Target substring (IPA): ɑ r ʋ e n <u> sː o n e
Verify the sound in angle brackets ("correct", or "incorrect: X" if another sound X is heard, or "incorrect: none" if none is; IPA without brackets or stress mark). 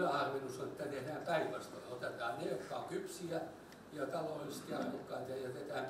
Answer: correct